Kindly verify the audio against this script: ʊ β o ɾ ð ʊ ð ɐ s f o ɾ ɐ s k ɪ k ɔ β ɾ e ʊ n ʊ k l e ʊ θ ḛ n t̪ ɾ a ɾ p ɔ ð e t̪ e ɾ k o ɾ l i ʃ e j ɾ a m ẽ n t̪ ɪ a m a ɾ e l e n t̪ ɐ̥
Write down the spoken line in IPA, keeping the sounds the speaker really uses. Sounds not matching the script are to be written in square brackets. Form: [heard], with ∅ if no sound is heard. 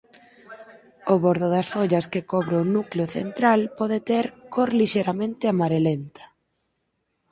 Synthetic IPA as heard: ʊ β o ɾ ð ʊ ð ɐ s f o [ʎ] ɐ s k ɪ k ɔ β ɾ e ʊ n [u] k l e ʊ θ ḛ n t̪ ɾ a [l] p ɔ ð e t̪ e ɾ k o ɾ l i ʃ e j ɾ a m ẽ n t̪ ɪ a m a ɾ e l e n t̪ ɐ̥